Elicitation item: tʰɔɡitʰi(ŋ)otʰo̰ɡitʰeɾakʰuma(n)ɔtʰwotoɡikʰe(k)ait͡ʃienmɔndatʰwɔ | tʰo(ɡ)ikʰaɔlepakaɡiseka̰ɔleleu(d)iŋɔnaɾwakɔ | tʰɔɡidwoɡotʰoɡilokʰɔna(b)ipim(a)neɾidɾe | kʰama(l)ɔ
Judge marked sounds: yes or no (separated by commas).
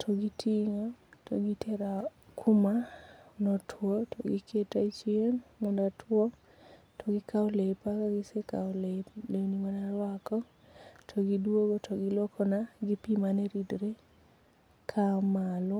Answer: yes, yes, no, yes, no, no, yes, yes